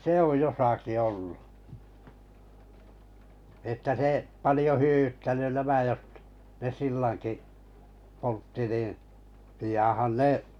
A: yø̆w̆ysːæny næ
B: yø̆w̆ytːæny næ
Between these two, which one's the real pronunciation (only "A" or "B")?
B